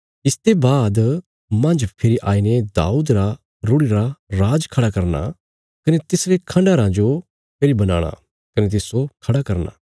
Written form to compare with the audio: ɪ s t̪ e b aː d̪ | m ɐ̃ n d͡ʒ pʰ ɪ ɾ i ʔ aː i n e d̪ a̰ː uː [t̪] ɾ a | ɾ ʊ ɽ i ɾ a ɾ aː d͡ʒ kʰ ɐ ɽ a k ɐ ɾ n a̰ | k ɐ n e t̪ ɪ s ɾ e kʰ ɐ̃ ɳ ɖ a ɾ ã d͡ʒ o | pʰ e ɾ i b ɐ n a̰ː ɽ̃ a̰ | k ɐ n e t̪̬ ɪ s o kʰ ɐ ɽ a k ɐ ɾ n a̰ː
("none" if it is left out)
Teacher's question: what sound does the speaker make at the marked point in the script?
d̪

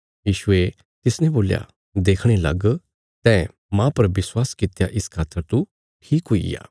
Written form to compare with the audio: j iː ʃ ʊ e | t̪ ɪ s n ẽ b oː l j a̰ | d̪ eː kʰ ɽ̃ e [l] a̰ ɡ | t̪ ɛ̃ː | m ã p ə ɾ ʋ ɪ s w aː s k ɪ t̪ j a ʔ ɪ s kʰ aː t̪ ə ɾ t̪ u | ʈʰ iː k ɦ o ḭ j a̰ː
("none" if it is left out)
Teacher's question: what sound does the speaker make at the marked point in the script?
l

